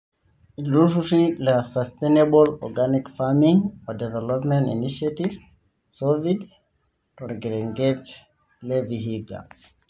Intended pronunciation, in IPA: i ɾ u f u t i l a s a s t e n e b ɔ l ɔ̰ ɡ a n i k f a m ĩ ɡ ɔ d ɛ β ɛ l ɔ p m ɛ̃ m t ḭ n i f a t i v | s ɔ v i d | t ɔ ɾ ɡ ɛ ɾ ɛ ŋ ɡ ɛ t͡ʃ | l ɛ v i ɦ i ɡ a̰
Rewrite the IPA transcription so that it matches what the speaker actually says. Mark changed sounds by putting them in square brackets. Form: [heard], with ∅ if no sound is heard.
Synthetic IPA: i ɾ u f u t i l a s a s t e n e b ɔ l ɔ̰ ɡ a n i k f a m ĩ [ŋ] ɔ d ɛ [v] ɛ l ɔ p m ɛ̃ [n] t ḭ n i [ʃ] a t i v | s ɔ v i d | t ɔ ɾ ɡ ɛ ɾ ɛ ŋ ɡ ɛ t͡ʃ | l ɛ v i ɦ i ɡ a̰